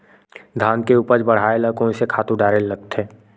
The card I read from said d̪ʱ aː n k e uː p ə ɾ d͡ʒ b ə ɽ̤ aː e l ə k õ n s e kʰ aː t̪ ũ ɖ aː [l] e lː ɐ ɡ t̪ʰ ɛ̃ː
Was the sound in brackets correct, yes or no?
no